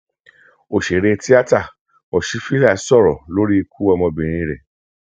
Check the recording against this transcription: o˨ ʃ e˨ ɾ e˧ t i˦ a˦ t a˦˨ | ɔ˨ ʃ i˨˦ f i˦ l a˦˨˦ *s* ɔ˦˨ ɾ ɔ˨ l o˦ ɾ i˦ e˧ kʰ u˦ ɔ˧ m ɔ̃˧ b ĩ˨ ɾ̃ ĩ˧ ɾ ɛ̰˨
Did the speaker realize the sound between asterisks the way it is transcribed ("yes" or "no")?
yes